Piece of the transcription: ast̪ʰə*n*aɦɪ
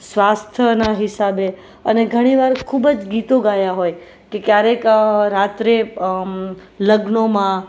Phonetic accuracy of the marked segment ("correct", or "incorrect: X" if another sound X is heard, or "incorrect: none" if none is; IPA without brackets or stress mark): correct